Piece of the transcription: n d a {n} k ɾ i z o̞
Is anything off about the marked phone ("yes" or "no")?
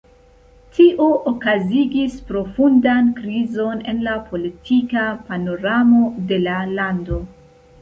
no